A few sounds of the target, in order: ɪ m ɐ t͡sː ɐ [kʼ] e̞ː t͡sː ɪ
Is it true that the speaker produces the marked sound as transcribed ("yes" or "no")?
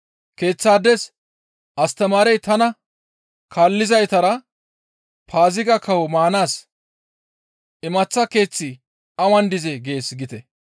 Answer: no